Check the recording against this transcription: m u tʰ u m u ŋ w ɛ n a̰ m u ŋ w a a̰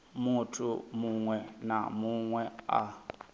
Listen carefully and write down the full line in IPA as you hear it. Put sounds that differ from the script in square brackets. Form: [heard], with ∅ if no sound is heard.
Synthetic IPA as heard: m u tʰ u m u ŋ w ɛ n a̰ m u ŋ w [ɛ] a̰